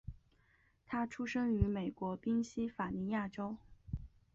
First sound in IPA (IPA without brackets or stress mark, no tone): t̪ʰ